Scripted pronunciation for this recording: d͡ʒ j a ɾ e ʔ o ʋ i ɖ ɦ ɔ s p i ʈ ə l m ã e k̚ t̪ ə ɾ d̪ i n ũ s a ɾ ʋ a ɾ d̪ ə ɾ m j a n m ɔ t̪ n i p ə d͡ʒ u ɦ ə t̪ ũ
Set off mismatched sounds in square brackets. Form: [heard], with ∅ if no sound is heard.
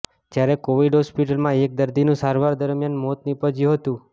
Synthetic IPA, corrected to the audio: d͡ʒ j a ɾ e [k] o ʋ i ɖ ɦ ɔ s p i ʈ ə l m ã e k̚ [d̪] ə ɾ d̪ i n ũ s a ɾ ʋ a ɾ d̪ ə ɾ m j a n m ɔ t̪ n i p ə d͡ʒ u ɦ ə t̪ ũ